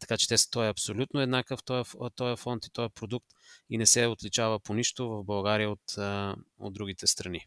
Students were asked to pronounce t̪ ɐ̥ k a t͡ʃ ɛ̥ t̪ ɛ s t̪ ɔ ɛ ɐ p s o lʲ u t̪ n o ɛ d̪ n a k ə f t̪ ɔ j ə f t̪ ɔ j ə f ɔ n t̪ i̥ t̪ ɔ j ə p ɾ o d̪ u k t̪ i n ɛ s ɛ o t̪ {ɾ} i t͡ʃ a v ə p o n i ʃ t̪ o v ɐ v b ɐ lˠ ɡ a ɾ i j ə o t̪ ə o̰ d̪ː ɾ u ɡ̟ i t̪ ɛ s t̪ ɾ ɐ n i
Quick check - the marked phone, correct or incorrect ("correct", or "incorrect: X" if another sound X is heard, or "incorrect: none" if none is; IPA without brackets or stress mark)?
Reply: incorrect: l